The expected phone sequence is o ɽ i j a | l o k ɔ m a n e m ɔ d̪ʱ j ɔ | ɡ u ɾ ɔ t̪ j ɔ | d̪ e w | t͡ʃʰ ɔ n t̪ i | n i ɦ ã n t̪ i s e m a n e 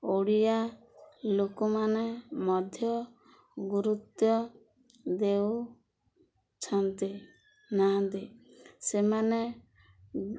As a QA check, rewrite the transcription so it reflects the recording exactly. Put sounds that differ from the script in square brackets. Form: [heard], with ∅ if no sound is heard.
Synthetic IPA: o ɽ i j a | l o k ɔ m a n e m ɔ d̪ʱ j ɔ | ɡ u ɾ [u] t̪ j ɔ | d̪ e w | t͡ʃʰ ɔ n t̪ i | n [a] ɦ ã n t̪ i s e m a n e